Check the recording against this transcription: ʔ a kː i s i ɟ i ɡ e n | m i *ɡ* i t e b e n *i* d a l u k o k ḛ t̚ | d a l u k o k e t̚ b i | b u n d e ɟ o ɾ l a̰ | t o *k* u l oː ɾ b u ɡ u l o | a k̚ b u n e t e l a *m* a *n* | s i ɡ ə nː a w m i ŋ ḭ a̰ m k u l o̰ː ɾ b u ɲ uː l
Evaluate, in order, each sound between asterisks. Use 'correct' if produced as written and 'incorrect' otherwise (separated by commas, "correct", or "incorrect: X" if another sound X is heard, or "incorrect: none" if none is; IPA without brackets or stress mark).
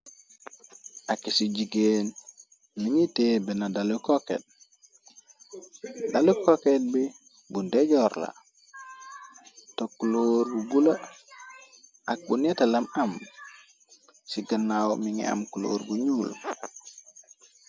incorrect: ŋ, incorrect: a, correct, correct, incorrect: m